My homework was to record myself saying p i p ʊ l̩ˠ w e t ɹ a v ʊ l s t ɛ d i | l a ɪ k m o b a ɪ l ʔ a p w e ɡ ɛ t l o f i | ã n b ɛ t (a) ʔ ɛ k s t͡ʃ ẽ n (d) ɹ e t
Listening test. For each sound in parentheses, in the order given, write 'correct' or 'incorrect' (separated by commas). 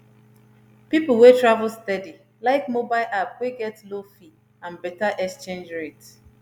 correct, incorrect